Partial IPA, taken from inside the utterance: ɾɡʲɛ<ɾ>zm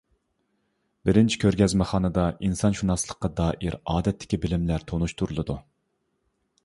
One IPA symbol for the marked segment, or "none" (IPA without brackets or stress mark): none